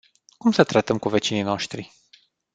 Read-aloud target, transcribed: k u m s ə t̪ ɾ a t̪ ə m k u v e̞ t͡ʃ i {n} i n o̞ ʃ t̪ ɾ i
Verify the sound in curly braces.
correct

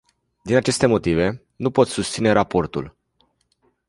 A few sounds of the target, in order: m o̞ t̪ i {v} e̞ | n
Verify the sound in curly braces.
correct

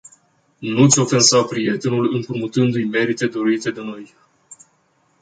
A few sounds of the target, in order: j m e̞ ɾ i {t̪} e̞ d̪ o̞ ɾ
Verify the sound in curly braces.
correct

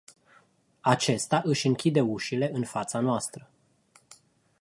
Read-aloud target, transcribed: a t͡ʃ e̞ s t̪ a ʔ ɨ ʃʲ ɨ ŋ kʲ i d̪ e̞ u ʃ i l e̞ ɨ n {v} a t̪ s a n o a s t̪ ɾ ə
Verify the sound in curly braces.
incorrect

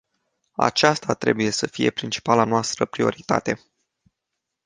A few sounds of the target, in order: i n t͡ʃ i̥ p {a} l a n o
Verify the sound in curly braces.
correct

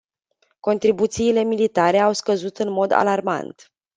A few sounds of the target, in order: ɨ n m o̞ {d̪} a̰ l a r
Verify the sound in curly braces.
correct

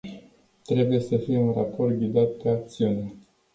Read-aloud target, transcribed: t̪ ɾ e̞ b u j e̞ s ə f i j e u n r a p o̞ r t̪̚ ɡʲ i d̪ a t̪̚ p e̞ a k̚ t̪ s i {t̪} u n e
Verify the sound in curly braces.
incorrect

